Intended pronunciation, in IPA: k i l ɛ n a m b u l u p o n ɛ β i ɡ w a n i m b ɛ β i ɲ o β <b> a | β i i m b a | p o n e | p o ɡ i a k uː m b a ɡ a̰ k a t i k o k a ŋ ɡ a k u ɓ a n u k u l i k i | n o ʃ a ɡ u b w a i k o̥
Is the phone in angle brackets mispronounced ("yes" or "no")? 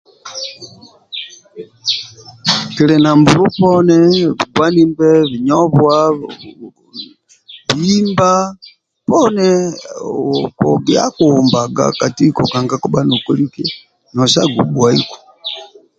yes